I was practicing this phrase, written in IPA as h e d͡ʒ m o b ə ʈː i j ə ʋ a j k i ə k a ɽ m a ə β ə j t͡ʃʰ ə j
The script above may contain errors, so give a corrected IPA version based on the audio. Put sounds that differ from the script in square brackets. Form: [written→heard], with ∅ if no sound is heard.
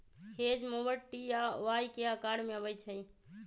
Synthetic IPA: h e d͡ʒ m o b ə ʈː i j [ə→a] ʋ a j k [i→e] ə k a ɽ m [a→e] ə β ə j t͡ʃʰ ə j